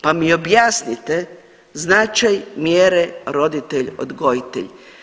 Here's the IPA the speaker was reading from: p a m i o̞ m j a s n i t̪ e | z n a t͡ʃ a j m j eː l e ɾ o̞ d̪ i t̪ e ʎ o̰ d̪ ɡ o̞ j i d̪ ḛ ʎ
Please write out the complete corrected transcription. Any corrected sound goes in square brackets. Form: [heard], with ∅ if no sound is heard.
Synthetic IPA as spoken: p a m i o̞ [b] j a s n i t̪ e | z n a t͡ʃ a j m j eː [ɾ] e ɾ o̞ d̪ i t̪ e ʎ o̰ d̪ ɡ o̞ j i [t̪] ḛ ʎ